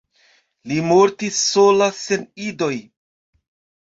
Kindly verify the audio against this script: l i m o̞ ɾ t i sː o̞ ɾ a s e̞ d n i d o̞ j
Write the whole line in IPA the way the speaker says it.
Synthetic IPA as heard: l i m o̞ ɾ t i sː o̞ l a s e̞ n i d o̞ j

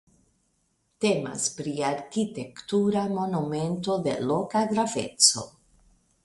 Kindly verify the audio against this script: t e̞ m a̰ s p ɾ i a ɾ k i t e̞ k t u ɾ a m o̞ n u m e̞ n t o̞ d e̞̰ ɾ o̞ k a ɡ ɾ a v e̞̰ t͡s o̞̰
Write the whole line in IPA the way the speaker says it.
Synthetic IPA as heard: t e̞ m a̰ s p ɾ i a ɾ k i t e̞ k t u ɾ a m o̞ n u m e̞ n t o̞ d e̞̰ l o̞ k a ɡ ɾ a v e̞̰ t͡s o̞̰

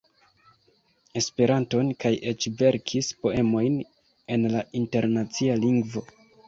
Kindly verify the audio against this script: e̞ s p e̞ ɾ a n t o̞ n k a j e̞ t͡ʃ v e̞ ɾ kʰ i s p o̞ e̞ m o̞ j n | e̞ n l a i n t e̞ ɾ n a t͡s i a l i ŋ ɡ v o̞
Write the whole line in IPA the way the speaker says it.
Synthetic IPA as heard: e̞ s p e̞ ɾ a n t o̞ n k a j e̞ t͡ʃ v e̞ ɾ kʰ i s p o̞ e̞ m o̞ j n | e̞ n l a i n t e̞ ɾ n a t͡s i a l i ŋ ɡ v o̞

